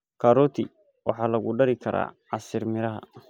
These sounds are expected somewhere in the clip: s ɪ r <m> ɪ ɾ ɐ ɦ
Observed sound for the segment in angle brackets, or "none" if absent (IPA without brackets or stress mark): m